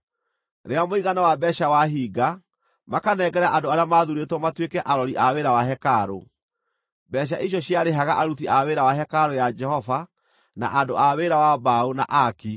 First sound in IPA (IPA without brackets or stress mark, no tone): ɾ